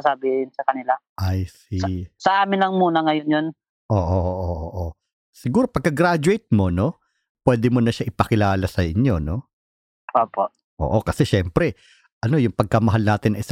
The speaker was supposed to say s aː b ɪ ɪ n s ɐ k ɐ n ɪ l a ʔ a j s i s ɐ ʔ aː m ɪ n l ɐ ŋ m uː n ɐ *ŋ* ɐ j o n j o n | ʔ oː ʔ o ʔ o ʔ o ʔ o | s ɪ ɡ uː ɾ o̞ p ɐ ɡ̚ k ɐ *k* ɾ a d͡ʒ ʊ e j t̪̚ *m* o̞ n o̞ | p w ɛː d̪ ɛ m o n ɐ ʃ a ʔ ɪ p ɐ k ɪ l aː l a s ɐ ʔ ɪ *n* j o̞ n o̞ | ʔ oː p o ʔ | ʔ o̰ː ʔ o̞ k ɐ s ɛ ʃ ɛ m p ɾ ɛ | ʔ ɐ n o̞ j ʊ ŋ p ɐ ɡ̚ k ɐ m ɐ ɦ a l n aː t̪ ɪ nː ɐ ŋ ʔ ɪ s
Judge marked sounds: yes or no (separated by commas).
yes, no, yes, no